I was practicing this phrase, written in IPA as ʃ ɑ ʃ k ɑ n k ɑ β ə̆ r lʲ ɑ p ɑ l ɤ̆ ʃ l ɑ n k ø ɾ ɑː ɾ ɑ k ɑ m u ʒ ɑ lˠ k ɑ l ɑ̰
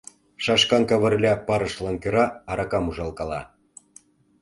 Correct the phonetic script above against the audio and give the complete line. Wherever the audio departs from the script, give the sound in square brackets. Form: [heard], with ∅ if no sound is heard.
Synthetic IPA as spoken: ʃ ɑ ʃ k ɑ n k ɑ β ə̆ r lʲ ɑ p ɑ [ɾ] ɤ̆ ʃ l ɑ n k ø ɾ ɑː ɾ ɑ k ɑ m u ʒ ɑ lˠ k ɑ l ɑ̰